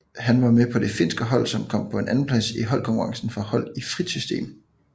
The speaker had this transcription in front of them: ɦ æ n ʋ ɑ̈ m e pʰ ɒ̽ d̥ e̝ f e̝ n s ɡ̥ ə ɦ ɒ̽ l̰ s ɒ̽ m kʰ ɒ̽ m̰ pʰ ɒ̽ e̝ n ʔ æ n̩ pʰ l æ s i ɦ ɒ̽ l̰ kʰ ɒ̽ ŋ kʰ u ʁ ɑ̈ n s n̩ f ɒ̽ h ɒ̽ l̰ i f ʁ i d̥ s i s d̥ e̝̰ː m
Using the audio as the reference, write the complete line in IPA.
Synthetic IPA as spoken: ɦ æ n ʋ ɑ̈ m e pʰ ɒ̽ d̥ e̝ f e̝ n s ɡ̥ ə ɦ ɒ̽ l̰ s ɒ̽ m kʰ ɒ̽ m̰ pʰ ɒ̽ e̝ n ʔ æ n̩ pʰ l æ s i ɦ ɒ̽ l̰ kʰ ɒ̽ ŋ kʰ u ʁ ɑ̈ ŋ s n̩ f ɒ̽ h ɒ̽ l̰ i f ʁ i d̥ s y s d̥ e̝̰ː m